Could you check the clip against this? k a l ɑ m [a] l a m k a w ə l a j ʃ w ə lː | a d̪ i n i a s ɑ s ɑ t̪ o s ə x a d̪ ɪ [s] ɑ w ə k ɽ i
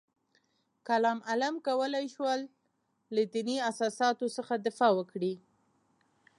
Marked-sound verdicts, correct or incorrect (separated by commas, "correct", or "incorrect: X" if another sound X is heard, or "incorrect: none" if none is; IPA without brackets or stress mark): correct, incorrect: f